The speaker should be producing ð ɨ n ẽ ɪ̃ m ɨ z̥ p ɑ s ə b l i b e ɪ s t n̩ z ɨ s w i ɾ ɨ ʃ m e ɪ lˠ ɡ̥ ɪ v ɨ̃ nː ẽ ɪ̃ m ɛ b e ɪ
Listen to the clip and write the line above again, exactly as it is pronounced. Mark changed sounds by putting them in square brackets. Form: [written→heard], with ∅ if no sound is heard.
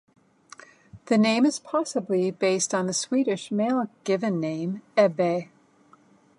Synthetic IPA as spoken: ð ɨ n ẽ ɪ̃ m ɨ z̥ [p→pʰ] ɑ s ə b l i b e ɪ s t n̩ [z→ð] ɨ s w i ɾ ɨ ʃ m e ɪ lˠ ɡ̥ ɪ v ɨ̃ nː ẽ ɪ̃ m ɛ b e ɪ